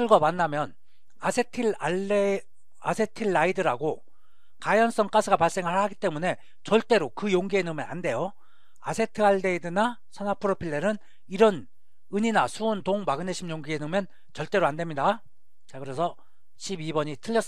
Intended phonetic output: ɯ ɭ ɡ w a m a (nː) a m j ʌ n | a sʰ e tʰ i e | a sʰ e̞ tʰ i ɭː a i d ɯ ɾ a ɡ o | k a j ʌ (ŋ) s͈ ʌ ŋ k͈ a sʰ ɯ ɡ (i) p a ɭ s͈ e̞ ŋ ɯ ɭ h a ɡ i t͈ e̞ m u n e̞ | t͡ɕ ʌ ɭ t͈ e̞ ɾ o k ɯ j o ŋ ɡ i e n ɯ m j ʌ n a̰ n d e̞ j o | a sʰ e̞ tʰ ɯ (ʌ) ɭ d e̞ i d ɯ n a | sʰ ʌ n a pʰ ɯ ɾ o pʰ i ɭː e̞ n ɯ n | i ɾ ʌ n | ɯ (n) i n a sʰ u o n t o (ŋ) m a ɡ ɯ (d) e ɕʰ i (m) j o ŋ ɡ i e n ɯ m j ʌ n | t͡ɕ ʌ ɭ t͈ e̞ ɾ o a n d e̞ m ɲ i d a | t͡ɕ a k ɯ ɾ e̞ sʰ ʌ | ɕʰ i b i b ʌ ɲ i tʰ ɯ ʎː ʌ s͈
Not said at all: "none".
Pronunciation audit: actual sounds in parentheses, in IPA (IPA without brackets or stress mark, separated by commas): nː, n, a, a, ɲ, ŋ, n, m